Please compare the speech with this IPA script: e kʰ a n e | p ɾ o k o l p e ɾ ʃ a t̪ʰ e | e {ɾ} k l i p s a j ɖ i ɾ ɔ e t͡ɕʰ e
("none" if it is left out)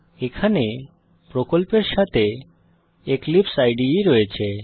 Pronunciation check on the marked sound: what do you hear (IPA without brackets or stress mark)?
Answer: none